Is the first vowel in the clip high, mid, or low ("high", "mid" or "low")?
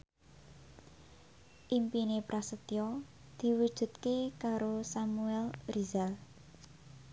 high